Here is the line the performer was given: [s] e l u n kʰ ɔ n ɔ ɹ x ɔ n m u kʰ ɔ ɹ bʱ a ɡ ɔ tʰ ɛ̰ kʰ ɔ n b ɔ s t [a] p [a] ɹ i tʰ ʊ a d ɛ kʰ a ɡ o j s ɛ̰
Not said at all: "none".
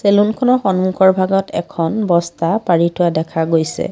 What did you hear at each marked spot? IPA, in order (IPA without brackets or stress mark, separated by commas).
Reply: s, a, a